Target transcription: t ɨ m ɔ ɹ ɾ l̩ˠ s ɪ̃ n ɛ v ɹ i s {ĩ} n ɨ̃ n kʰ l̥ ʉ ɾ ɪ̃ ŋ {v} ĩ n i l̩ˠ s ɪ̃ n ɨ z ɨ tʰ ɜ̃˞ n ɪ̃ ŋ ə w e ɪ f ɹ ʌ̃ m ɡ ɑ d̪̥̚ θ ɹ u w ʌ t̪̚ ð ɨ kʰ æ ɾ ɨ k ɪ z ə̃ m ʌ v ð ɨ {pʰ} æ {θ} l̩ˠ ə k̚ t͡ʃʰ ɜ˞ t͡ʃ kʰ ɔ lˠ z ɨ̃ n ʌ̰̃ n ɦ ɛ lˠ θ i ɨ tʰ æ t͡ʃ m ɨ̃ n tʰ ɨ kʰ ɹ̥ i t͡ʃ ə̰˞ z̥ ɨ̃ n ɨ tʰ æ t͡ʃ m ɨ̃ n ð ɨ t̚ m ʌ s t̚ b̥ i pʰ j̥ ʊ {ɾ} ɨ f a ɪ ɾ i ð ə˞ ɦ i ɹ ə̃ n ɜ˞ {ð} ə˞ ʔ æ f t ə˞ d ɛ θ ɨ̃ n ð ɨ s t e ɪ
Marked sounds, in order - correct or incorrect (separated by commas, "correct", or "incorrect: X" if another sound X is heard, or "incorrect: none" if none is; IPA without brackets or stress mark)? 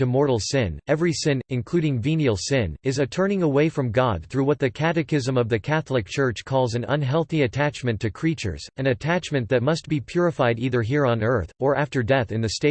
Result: incorrect: ɪ̃, correct, incorrect: kʰ, correct, incorrect: ɹ, incorrect: θ